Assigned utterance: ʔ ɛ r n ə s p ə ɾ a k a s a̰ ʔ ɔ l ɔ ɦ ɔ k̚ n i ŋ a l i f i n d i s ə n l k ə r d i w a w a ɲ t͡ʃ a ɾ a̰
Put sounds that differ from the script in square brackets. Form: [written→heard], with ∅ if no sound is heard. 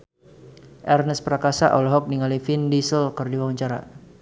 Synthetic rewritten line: ʔ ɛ r n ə s p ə ɾ a k a s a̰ ʔ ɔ l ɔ ɦ ɔ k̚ n i ŋ a l i f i n d i s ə [n→∅] l k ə r d i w a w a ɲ t͡ʃ a ɾ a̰